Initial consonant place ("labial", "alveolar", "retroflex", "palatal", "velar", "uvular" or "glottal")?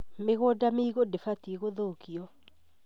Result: labial